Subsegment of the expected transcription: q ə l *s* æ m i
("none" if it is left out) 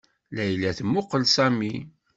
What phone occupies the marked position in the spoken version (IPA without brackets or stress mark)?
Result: s